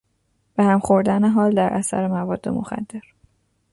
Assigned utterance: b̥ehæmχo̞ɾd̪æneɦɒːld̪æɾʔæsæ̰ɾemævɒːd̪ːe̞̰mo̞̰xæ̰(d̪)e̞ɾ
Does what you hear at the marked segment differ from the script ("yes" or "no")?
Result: yes